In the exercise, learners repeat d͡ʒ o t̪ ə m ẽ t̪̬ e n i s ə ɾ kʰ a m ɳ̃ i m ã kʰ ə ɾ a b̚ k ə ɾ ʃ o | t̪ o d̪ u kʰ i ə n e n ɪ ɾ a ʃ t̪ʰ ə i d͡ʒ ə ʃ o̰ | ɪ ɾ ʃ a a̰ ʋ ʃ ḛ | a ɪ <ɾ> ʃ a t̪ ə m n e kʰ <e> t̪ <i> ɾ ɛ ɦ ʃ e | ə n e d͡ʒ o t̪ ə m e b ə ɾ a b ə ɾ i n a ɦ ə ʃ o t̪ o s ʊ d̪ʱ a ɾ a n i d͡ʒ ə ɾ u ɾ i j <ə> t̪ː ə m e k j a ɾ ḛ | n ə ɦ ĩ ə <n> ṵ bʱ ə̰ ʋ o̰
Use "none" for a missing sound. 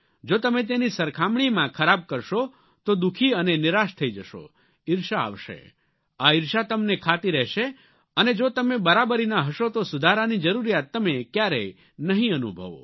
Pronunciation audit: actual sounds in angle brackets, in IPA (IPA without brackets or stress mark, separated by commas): ɾ, a, i, a, n